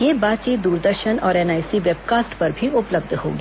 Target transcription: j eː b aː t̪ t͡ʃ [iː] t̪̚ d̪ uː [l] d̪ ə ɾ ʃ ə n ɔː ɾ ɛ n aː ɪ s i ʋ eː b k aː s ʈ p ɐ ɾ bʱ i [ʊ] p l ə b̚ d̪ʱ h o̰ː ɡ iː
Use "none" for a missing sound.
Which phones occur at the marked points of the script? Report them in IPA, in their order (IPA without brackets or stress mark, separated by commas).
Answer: iː, ɾ, ʊ